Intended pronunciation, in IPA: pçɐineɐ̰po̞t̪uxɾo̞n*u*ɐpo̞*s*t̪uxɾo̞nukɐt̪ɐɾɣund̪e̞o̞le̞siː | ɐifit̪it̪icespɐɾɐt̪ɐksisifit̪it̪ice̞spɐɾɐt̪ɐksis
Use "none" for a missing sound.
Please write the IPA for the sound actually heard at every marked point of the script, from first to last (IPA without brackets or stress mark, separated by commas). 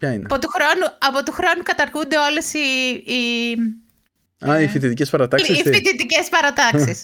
u, none